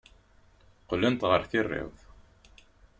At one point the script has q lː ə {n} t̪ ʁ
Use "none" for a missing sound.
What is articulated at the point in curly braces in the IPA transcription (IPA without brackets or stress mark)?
n